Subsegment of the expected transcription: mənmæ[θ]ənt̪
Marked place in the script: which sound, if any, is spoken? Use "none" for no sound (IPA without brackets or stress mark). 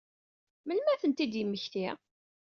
θ